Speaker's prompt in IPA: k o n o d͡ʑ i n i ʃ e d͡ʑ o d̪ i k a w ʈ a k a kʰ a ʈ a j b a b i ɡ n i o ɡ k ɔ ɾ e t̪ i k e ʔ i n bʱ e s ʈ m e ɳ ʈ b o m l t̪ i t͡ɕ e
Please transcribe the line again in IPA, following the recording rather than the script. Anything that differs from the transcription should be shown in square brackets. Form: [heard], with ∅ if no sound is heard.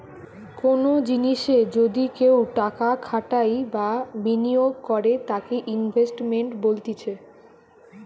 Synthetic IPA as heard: k o n o d͡ʑ i n i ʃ e d͡ʑ o d̪ i k [e] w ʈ a k a kʰ a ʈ a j b a b i [∅] n i o ɡ k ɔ ɾ e t̪ [a] k e ʔ i n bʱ e s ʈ m e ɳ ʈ b o [∅] l t̪ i [t͡ɕʰ] e

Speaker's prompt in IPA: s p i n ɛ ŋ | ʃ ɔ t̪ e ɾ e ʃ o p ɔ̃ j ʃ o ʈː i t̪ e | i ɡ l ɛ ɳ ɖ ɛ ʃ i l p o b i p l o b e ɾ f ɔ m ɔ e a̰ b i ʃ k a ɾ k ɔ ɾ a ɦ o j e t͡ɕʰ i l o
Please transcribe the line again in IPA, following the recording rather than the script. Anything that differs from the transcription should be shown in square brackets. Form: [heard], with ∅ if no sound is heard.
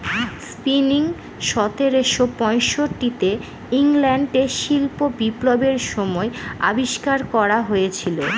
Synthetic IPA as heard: s p i n [i] ŋ | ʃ ɔ t̪ e ɾ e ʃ o p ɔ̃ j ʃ o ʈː i t̪ e | i [ŋ] l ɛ ɳ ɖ [e] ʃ i l p o b i p l o b e ɾ [ʃ] ɔ m ɔ e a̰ b i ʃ k a ɾ k ɔ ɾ a ɦ o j e t͡ɕʰ i l o

